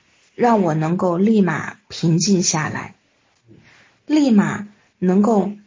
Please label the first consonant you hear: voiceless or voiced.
voiced